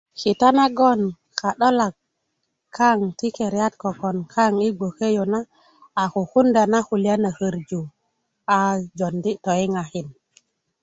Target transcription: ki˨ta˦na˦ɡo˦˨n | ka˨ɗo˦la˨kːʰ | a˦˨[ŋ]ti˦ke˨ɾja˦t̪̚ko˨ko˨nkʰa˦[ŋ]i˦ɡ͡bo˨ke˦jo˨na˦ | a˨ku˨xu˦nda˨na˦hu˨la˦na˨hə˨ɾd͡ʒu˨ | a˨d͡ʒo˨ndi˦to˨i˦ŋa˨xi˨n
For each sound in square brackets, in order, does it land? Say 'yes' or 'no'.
yes, yes

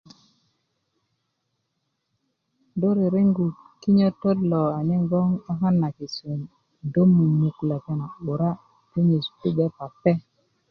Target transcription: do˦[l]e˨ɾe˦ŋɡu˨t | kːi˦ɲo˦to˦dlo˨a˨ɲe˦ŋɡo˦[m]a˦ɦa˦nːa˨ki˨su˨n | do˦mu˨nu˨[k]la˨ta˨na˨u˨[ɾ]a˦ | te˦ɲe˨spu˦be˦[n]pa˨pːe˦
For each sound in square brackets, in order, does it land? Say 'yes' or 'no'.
no, no, yes, yes, no

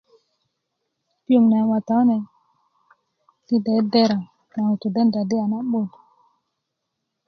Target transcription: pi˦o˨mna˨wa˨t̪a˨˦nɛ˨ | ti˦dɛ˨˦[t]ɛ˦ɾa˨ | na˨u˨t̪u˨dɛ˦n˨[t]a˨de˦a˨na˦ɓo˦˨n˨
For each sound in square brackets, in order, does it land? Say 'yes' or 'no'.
no, no

